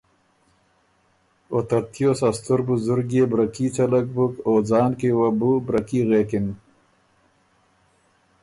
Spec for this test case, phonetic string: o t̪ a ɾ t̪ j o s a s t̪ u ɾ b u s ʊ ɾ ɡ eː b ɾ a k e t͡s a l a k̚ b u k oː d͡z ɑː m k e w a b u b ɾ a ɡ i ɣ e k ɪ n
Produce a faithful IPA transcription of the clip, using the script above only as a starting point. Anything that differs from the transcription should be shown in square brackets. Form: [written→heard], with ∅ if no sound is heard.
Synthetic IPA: o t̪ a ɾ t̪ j o s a s t̪ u ɾ b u [s→z] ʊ ɾ ɡ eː b ɾ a k [e→i] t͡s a l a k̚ b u k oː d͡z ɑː [m→n] k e w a b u b ɾ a [ɡ→k] i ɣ e k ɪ n